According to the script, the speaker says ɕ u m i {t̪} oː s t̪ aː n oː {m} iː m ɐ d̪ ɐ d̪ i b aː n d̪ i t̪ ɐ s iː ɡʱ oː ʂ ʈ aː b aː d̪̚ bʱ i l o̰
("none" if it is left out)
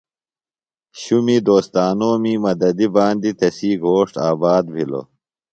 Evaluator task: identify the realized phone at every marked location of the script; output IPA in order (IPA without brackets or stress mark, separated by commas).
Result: d̪, m